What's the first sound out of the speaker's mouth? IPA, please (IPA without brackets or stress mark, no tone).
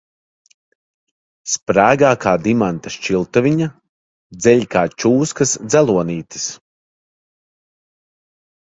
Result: s